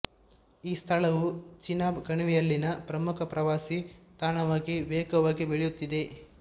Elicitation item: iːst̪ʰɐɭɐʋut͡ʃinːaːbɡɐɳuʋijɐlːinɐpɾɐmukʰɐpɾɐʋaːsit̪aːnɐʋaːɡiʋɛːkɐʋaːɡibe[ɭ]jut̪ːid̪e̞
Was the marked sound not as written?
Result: no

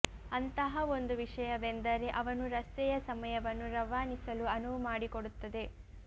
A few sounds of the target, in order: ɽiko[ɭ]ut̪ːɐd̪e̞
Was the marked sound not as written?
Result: yes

